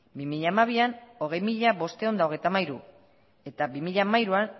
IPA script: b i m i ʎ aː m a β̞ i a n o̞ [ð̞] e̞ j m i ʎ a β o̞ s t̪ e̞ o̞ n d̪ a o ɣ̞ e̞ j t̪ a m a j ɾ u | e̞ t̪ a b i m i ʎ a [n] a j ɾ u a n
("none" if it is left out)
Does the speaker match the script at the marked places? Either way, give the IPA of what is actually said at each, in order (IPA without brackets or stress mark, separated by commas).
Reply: ɣ̞, m